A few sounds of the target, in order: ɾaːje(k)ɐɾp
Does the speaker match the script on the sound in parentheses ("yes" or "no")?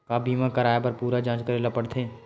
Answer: no